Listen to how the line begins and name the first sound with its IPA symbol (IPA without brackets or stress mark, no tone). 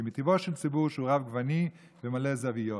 m